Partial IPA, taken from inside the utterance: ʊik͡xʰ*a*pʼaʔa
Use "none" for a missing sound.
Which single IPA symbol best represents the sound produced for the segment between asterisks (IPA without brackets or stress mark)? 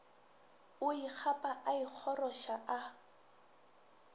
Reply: a